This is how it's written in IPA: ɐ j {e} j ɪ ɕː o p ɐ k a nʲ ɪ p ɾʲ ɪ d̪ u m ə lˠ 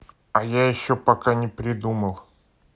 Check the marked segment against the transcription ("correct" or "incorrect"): incorrect